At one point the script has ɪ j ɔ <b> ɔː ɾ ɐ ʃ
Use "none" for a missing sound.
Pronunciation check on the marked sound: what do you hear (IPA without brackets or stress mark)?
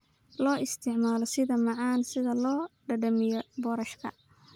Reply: b